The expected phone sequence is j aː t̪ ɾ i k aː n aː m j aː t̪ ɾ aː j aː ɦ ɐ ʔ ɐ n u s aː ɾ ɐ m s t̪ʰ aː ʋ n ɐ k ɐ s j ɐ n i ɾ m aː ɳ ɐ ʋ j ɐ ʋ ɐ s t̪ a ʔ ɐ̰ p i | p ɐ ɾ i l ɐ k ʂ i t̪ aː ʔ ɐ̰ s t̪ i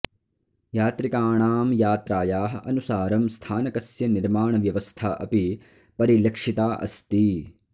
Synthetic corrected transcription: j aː t̪ ɾ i k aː ɳ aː m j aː t̪ ɾ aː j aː ɦ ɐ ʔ ɐ n u s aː ɾ ɐ m s t̪ʰ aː n ɐ k ɐ s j ɐ n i ɾ m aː ɳ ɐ ʋ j ɐ ʋ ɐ s t̪ʰ a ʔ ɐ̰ p i | p ɐ ɾ i l ɐ k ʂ i t̪ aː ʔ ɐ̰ s t̪ i